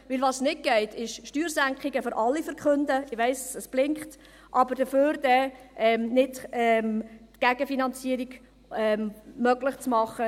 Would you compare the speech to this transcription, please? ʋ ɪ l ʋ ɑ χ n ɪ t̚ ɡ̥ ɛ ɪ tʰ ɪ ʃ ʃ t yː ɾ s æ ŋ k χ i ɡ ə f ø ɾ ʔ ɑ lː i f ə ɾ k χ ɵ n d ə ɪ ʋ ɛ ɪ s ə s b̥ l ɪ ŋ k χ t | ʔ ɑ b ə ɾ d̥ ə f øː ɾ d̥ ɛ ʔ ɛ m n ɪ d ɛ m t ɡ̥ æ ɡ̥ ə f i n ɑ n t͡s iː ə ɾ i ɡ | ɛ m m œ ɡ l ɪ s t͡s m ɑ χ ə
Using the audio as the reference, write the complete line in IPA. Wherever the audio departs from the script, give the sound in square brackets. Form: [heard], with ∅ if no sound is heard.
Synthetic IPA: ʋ ɪ l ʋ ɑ [s] n ɪ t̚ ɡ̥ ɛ ɪ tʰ ɪ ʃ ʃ t yː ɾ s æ ŋ k χ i ɡ ə f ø ɾ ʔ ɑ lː i f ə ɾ k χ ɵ n d ə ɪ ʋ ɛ ɪ s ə s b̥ l ɪ ŋ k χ t | ʔ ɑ b ə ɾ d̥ ə f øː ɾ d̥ ɛ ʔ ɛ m n ɪ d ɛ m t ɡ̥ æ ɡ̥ ə f i n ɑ n t͡s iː ə ɾ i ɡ | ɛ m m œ ɡ l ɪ [χ] t͡s m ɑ χ ə